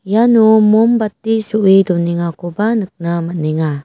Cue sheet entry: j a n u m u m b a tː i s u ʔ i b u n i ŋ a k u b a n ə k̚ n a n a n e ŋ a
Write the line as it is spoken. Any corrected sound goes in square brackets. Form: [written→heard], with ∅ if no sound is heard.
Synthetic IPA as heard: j a n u m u m b a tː i s u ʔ i [b→d] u n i ŋ a k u b a n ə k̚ n a [n→m] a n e ŋ a